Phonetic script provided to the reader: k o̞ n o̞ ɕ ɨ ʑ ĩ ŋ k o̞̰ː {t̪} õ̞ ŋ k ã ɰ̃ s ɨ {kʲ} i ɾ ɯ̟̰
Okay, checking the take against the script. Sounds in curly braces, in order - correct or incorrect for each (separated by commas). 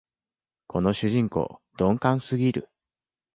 incorrect, incorrect